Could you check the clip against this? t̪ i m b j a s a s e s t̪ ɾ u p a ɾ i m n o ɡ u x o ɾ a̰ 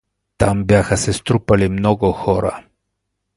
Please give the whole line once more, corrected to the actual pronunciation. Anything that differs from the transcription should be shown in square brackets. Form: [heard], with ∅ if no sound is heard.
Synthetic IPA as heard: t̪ [a] m b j a [x] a s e s t̪ ɾ u p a [l] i m n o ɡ [o] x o ɾ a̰